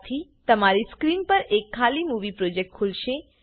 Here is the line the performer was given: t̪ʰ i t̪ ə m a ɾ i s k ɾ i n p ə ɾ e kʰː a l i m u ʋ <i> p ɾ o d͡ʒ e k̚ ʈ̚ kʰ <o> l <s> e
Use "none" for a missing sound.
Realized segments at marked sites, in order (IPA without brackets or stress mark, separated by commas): i, u, ʃ